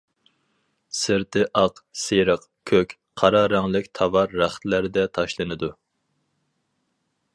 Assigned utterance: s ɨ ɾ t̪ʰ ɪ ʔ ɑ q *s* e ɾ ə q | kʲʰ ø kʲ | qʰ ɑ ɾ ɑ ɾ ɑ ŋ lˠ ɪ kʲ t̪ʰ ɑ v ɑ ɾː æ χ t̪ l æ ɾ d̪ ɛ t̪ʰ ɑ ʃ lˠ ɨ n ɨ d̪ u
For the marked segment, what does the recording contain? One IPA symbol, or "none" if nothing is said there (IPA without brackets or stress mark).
s